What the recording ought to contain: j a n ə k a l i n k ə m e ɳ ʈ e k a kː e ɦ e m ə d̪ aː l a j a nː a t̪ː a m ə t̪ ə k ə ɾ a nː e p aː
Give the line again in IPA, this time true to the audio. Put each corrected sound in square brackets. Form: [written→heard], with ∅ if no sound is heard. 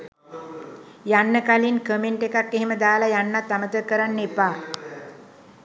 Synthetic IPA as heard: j a [n→nː] ə k a l i n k ə m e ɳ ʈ e k a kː e ɦ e m ə d̪ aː l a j a nː a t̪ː a m ə t̪ ə k ə ɾ a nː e p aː